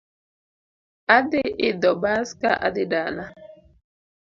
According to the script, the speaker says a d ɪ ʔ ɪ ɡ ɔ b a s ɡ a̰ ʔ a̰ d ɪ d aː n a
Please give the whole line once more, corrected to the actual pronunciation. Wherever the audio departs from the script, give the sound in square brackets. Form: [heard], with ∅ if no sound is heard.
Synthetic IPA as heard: a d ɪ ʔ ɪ [d] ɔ b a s [k] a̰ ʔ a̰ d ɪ d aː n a